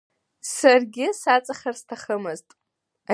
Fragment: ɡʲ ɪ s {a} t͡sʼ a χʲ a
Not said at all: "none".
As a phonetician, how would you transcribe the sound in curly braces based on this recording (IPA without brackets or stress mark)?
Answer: a